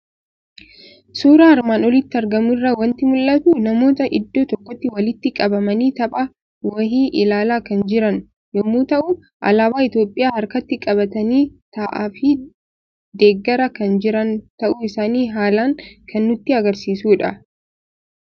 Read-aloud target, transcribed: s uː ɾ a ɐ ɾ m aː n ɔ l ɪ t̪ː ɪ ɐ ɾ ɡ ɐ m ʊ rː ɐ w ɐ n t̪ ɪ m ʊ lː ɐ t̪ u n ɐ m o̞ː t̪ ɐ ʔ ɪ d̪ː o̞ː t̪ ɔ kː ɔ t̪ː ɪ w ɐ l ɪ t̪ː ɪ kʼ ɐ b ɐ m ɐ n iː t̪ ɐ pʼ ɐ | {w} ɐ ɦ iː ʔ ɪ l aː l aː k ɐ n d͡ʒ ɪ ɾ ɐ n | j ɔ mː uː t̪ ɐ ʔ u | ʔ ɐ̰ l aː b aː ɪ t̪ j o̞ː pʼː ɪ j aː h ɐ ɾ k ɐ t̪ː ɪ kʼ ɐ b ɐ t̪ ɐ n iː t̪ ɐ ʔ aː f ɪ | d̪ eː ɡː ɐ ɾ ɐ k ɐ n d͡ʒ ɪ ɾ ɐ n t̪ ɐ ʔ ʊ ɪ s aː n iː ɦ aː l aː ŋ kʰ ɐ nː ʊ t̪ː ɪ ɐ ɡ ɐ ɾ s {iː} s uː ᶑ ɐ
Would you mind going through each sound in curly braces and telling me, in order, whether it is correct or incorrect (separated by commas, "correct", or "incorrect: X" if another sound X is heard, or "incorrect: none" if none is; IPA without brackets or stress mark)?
correct, correct